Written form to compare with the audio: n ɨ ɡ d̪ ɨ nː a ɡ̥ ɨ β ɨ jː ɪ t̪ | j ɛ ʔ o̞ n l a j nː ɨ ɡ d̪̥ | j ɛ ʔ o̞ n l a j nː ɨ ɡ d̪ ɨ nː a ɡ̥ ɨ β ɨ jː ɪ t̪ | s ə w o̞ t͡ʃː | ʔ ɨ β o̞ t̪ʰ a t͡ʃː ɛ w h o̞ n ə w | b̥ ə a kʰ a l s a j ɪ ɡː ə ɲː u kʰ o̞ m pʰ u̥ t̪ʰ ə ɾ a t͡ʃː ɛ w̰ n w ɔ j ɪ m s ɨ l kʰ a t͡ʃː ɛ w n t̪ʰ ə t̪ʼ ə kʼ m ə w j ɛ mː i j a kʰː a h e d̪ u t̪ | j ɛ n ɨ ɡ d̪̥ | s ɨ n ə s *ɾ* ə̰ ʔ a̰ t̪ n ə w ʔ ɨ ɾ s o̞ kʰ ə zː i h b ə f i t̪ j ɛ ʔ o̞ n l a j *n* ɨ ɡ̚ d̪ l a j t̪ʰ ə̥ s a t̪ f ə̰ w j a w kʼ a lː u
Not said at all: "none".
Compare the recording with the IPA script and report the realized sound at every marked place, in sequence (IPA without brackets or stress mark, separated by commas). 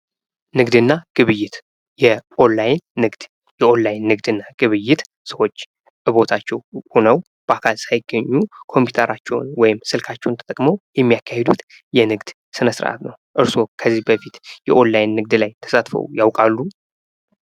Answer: ɾ, nː